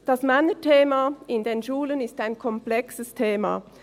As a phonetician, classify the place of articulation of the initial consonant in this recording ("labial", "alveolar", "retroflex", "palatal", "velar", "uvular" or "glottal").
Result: alveolar